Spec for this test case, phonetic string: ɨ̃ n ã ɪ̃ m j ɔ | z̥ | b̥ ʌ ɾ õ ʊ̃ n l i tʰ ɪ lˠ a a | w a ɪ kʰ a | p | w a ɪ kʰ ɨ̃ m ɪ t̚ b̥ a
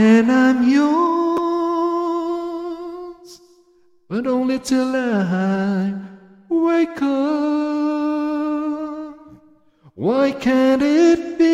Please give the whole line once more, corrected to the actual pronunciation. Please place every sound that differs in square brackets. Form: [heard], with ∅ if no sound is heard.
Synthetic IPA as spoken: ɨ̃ n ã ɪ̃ m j ɔ | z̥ | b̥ ʌ ɾ õ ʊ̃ n l i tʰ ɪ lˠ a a | w [e] ɪ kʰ [ʌ] | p | w a ɪ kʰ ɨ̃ [n] ɪ t̚ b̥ [i]